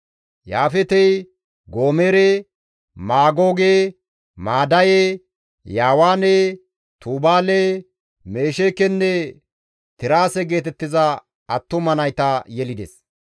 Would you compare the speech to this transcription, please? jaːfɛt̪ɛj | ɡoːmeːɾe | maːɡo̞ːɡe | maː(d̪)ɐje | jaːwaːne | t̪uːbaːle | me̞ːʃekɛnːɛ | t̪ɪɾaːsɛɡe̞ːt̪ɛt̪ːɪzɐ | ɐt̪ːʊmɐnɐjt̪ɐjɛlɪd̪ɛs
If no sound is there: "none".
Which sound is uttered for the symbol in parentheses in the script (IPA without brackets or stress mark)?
d̪